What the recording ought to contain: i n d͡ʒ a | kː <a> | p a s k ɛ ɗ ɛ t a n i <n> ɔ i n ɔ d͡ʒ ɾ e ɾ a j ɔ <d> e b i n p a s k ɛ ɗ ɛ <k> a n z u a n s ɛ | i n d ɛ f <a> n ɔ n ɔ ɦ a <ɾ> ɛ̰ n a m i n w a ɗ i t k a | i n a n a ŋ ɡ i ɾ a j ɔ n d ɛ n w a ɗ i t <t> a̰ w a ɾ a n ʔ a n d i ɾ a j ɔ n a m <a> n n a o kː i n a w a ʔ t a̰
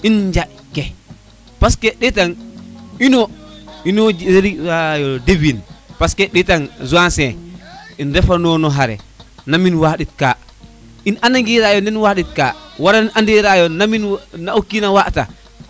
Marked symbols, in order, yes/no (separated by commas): no, yes, yes, no, yes, yes, no, no